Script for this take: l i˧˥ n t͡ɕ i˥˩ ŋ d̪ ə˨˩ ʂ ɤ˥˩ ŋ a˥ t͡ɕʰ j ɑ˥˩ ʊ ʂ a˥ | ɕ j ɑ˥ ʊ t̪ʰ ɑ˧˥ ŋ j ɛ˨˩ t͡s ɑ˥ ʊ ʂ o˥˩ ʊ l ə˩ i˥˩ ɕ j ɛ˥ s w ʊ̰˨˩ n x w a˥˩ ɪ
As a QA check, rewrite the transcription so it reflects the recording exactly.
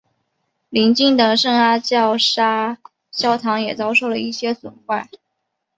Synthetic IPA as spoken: l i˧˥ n t͡ɕ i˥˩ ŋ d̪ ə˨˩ ʂ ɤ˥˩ ŋ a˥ t͡ɕ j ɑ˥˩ ʊ ʂ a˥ | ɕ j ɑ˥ ʊ t̪ʰ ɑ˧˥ ŋ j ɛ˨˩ t͡s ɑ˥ ʊ ʂ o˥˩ ʊ l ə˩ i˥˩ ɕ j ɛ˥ s w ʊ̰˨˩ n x w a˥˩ ɪ